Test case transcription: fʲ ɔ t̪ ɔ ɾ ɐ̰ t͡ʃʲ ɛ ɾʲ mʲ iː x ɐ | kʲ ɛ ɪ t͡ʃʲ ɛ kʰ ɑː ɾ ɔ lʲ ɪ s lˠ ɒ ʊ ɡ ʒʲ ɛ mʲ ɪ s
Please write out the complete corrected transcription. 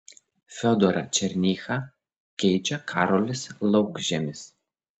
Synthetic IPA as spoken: fʲ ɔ d̪ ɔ ɾ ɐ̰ t͡ʃʲ ɛ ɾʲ nʲ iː x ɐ | kʲ ɛ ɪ t͡ʃʲ ɛ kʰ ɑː ɾ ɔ lʲ ɪ s lˠ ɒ ʊ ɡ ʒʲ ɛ mʲ ɪ s